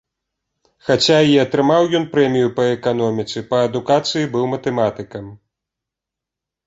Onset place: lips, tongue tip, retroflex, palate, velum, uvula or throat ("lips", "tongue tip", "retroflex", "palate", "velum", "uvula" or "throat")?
velum